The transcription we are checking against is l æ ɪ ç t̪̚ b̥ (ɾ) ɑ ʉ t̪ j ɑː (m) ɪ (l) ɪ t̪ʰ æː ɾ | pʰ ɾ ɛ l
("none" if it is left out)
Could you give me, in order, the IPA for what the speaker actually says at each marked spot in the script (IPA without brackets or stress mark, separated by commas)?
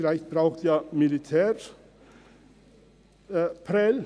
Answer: ɾ, m, l